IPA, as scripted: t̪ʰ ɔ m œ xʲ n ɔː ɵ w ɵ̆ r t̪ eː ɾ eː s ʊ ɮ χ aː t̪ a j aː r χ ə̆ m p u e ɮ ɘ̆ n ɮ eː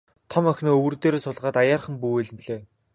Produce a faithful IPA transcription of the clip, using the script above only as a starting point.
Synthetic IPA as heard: t̪ʰ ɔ m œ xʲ n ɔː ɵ w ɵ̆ r t̪ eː ɾ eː s ʊ ɮ ʁ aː t̪ a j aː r χ ə̆ m p u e ɮ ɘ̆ n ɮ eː